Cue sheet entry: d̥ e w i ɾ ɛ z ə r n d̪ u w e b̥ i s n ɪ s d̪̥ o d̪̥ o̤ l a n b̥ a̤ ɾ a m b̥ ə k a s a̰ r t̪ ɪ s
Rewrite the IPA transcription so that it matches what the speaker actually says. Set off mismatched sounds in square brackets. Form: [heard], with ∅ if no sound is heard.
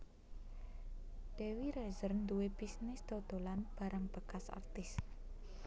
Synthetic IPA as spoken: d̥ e w i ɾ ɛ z ə r n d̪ u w e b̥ i s n ɪ s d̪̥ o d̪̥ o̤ l a n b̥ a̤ ɾ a [ŋ] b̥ ə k a s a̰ r t̪ ɪ s